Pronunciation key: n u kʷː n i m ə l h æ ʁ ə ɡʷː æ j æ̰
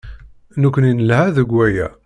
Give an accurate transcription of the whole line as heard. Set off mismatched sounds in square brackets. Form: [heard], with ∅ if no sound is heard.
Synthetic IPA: n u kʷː n i [n] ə l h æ [ð] ə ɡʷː æ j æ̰